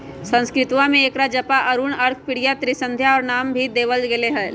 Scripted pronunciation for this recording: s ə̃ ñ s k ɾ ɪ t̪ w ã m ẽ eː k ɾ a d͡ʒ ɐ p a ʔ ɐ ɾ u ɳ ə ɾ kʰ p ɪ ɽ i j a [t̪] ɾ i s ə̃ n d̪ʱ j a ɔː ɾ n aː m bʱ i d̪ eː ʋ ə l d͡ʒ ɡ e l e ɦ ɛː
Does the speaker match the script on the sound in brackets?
yes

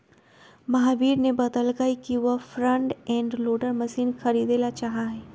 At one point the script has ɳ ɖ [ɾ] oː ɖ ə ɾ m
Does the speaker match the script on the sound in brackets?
no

